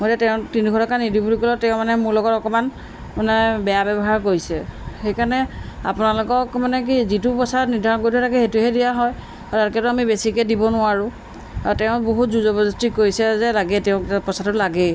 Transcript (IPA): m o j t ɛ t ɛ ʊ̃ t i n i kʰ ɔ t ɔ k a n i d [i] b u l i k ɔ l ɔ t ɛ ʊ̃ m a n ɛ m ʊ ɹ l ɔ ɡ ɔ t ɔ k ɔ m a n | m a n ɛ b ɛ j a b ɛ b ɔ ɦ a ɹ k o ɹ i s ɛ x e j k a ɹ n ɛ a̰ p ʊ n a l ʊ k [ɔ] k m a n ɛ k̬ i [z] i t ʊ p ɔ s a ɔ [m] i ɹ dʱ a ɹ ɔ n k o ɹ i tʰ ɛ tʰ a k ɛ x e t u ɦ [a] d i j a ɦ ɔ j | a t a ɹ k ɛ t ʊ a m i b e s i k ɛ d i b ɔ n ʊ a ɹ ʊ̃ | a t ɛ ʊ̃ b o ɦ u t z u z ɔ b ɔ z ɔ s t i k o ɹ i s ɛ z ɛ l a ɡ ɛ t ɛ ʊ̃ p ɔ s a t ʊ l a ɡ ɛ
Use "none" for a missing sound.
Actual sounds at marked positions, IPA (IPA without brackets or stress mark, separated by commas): i, ɔ, z, n, ɛ